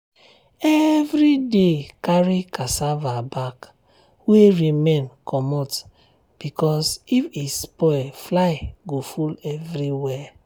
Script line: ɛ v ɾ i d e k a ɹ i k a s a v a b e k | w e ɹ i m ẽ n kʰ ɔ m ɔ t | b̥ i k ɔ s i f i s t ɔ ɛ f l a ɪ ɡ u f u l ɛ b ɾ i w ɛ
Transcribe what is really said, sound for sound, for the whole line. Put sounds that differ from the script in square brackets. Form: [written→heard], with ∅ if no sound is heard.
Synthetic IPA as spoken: ɛ v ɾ i d e k a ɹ i k a s a v a b [e→a] k | w e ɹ i m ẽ n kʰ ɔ m ɔ t | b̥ i k ɔ s i f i s [t→p] ɔ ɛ f l a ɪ ɡ [u→o] f u l ɛ [b→v] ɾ i w ɛ